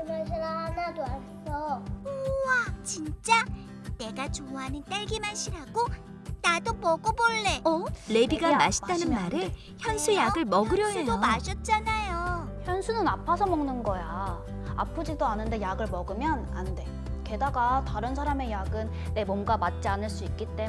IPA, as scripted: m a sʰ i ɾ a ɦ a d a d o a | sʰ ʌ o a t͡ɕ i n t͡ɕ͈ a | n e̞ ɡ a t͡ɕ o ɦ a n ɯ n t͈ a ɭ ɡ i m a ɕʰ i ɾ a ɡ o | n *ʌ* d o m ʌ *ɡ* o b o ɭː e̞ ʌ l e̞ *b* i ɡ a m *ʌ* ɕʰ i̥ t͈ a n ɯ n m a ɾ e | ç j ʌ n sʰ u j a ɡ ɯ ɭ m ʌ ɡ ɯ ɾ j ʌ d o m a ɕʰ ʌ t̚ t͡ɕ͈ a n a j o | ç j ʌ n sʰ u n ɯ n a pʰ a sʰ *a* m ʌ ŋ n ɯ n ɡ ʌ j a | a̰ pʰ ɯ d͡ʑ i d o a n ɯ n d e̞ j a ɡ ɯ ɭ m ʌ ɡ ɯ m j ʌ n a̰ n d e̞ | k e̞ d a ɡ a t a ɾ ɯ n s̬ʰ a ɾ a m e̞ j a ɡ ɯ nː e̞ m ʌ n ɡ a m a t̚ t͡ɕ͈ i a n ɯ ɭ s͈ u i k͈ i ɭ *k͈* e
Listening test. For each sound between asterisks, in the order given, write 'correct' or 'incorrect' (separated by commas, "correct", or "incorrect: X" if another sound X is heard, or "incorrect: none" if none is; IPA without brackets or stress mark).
incorrect: a, correct, correct, incorrect: a, incorrect: ʌ, incorrect: t͈